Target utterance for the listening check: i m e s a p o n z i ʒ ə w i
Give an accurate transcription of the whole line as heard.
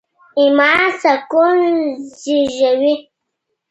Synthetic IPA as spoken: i m a s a k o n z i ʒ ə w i